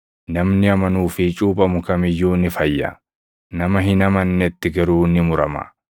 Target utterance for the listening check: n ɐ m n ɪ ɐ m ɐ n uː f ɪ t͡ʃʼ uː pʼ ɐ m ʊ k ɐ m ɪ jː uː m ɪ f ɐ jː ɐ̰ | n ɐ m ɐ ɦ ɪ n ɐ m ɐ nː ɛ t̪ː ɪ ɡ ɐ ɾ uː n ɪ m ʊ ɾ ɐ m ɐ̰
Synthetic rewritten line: n ɐ m n ɪ ɐ m ɐ n uː f ɪ t͡ʃʼ uː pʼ ɐ m ʊ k ɐ m ɪ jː uː n ɪ f ɐ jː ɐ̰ | n ɐ m ɐ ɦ ɪ n ɐ m ɐ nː ɛ t̪ː ɪ ɡ ɐ ɾ uː n ɪ m ʊ ɾ ɐ m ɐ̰